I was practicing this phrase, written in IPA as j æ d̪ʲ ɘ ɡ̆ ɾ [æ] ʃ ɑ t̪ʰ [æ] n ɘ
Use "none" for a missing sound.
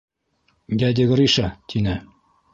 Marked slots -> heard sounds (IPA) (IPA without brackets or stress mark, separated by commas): i, i